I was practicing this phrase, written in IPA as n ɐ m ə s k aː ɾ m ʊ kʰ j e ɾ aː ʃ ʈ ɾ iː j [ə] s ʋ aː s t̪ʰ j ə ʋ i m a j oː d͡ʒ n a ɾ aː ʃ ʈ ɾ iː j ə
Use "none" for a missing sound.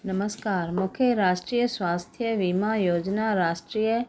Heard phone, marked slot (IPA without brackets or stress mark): ə